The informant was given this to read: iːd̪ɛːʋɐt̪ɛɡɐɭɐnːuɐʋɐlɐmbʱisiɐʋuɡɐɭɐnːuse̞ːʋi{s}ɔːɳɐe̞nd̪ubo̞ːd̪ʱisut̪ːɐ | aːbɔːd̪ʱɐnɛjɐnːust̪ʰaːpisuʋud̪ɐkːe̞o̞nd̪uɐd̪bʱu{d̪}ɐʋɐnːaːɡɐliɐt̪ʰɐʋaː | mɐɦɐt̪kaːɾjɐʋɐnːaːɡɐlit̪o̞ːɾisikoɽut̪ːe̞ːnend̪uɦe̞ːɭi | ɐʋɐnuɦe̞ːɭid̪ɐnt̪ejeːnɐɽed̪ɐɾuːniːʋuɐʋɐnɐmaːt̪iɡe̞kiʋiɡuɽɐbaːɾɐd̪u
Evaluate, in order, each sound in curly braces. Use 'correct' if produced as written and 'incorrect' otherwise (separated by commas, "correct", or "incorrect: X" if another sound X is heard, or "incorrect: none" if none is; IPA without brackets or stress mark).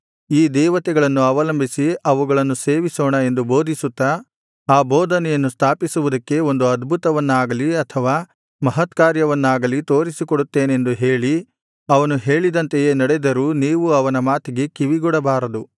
correct, incorrect: t̪